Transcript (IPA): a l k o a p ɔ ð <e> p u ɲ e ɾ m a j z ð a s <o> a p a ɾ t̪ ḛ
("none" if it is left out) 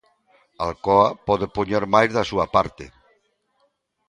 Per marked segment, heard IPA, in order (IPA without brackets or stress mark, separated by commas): e, u